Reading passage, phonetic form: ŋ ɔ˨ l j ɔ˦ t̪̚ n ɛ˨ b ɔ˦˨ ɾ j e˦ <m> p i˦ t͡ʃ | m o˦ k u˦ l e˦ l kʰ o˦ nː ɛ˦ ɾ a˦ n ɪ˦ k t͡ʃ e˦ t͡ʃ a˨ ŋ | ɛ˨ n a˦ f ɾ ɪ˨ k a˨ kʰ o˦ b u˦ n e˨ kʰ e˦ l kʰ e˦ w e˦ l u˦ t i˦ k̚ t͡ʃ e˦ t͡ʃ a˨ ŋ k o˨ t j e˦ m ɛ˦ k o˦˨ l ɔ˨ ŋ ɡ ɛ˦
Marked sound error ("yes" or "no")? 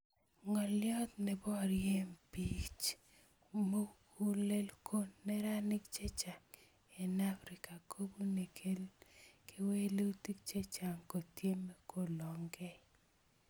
no